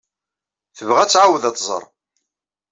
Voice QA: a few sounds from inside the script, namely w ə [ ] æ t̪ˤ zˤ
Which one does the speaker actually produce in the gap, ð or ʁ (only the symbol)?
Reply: ð